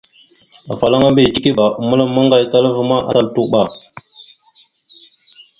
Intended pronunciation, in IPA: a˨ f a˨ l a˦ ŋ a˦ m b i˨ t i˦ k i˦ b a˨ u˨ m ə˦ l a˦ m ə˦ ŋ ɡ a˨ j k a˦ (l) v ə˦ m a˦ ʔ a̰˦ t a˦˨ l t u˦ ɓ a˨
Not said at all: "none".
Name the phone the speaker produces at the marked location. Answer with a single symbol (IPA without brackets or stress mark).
l